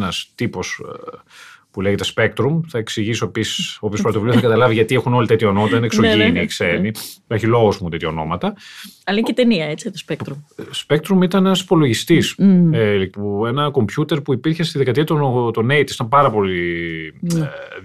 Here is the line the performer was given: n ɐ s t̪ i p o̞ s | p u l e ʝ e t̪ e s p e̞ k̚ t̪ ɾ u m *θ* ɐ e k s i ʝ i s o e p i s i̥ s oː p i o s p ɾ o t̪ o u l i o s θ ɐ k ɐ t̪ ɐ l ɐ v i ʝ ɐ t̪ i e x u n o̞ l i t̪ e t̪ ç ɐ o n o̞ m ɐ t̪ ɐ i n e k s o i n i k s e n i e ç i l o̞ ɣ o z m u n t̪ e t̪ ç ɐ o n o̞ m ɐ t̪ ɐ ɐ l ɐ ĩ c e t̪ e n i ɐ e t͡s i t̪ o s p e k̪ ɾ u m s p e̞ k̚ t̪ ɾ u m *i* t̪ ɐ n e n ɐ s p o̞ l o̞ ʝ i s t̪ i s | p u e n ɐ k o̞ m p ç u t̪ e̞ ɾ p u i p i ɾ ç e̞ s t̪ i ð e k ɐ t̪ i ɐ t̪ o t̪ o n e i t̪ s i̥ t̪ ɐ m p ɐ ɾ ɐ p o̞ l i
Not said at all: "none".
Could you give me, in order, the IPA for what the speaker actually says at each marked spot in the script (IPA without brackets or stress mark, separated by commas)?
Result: θ, i